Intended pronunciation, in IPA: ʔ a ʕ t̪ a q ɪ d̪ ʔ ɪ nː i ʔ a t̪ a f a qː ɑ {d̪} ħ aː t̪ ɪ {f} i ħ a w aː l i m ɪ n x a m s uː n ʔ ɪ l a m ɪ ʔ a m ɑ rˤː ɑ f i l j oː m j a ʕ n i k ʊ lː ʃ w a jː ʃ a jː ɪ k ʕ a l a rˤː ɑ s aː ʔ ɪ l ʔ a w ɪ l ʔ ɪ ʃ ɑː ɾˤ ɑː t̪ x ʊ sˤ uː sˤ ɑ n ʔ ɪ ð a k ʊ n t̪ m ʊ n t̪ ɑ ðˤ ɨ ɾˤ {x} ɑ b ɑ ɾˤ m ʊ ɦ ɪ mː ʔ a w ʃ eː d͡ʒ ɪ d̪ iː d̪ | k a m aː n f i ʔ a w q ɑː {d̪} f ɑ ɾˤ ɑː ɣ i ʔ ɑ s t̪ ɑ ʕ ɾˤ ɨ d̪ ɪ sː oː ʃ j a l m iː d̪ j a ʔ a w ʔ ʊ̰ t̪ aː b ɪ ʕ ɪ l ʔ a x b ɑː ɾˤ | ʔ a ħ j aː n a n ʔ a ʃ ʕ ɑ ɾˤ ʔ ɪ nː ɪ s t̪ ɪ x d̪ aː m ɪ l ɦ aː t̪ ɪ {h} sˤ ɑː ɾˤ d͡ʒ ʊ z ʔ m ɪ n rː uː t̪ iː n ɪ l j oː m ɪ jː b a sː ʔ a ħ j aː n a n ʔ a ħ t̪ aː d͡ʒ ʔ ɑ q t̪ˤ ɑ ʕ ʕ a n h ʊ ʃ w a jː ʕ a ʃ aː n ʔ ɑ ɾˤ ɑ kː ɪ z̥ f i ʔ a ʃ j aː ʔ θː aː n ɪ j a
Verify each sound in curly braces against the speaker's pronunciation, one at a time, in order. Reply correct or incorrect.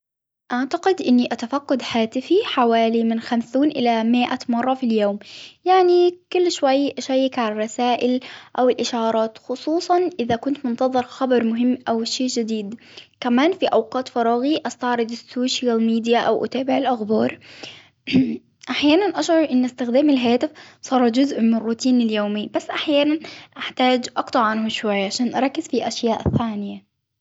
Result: correct, correct, correct, incorrect: t̪, incorrect: f

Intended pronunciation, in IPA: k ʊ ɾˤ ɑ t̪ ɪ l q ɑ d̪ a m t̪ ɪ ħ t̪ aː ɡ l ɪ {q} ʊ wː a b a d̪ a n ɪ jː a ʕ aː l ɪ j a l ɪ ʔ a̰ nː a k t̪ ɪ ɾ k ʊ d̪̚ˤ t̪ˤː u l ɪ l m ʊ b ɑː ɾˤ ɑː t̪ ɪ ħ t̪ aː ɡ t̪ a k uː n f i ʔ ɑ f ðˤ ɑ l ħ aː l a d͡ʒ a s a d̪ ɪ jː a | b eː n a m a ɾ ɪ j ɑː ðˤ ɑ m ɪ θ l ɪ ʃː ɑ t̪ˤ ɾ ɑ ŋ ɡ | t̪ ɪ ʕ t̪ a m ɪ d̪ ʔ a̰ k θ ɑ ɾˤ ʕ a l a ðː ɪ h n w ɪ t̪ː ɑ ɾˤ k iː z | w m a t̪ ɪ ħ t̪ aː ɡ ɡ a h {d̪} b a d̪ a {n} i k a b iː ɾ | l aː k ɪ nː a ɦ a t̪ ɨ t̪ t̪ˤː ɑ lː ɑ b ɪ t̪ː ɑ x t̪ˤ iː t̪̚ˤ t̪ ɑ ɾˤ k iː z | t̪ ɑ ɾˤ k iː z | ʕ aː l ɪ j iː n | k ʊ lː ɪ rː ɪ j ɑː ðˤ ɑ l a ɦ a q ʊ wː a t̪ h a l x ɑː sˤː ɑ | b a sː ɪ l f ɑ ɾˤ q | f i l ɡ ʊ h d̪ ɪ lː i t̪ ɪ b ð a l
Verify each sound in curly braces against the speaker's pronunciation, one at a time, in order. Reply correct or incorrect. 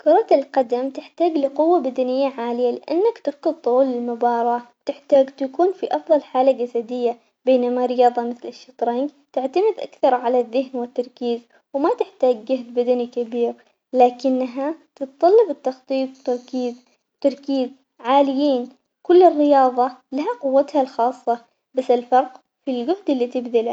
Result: correct, correct, correct

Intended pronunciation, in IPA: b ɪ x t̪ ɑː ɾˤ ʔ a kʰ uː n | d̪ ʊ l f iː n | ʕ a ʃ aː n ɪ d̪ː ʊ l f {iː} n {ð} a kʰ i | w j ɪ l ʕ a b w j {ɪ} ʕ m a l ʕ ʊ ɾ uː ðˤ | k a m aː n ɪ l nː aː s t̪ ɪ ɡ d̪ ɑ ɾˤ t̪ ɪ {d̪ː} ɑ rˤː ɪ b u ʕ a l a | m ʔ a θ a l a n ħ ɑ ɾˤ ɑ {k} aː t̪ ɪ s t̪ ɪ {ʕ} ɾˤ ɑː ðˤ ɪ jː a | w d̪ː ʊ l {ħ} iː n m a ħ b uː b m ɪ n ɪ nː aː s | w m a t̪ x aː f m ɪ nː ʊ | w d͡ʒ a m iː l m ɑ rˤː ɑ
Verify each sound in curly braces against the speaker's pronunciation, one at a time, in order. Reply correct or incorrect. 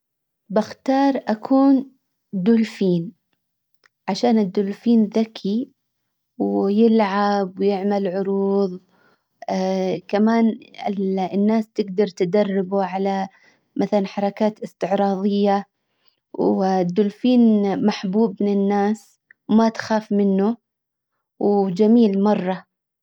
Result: correct, correct, correct, incorrect: d̪, correct, correct, incorrect: f

